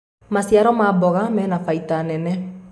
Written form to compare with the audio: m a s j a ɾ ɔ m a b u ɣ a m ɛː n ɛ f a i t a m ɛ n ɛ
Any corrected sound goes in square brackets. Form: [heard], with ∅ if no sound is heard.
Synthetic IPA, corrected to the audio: m a s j a ɾ ɔ m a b [ɔ] ɣ a m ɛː n [a] f a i t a [n] ɛ n ɛ